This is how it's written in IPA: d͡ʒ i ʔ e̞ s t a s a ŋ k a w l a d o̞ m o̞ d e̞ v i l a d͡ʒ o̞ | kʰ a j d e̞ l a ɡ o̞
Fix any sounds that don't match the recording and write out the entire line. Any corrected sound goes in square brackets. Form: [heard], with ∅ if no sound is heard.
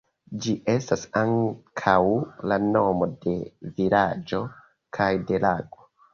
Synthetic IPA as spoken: d͡ʒ i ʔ e̞ s t a s a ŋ [kʰ] a w l a [n] o̞ m o̞ d e̞ v i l a d͡ʒ o̞ | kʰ a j d e̞ l a ɡ o̞